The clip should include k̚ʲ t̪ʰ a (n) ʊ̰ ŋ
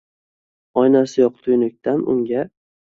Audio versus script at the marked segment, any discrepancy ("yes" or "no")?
no